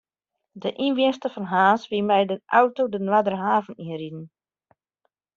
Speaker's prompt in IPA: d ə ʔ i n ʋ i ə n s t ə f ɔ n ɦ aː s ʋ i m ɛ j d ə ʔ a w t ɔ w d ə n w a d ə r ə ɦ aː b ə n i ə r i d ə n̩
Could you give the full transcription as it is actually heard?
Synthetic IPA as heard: d ə ʔ i n ʋ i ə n s t ə f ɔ n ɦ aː s ʋ i m ɛ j d ə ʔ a w t o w d ə n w a d ə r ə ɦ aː v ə n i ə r i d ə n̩